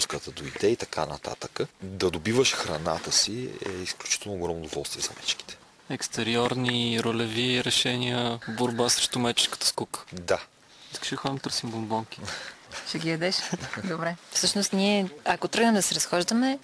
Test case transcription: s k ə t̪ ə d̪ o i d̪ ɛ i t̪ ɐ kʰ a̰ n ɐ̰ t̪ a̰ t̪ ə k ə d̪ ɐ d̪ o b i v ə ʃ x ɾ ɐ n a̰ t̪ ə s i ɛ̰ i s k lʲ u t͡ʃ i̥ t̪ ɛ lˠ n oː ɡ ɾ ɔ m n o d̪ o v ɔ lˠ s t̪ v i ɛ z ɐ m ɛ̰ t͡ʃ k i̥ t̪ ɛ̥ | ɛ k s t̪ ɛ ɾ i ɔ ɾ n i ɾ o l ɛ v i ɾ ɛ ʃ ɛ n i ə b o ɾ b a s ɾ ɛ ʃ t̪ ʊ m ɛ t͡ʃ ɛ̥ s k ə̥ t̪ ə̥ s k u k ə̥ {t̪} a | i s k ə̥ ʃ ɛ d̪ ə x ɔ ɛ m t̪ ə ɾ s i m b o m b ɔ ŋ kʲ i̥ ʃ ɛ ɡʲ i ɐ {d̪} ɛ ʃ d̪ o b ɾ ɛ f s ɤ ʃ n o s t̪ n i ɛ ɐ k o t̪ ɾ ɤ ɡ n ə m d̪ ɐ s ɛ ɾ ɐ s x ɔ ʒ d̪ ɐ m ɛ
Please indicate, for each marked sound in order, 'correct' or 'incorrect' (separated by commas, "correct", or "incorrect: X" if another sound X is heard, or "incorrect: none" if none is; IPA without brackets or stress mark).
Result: incorrect: d̪, correct